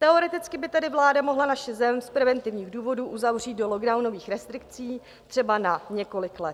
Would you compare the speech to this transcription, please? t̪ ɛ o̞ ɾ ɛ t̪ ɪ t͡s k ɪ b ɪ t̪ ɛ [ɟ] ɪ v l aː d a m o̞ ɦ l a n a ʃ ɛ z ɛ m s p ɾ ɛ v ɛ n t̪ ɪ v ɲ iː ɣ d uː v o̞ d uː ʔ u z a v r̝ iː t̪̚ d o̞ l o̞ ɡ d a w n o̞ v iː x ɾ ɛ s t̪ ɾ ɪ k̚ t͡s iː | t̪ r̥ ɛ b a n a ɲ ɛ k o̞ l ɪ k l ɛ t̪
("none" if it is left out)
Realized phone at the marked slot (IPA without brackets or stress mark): d